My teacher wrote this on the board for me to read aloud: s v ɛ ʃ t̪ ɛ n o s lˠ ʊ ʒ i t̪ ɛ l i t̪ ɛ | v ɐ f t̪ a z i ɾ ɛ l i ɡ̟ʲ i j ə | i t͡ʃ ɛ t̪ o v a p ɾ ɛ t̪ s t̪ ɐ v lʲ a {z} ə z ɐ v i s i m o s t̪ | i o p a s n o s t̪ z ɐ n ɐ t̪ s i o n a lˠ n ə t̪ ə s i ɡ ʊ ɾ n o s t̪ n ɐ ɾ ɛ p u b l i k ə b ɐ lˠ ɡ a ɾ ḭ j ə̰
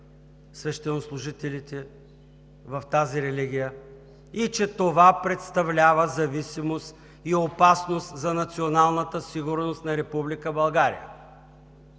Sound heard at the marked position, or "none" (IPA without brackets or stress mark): v